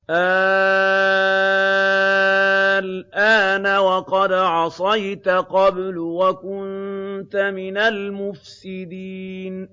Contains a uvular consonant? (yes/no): yes